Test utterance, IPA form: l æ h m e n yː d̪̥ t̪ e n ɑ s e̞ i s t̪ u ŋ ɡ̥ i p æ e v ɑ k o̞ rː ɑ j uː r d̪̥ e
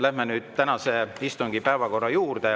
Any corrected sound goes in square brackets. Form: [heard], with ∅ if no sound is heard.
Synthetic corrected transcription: l æ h m e n yː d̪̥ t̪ [æ] n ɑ s e̞ i s t̪ u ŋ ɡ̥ i p æ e v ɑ k o̞ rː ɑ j uː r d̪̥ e